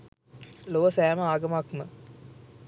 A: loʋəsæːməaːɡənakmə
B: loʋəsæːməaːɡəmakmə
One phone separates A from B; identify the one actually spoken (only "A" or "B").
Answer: B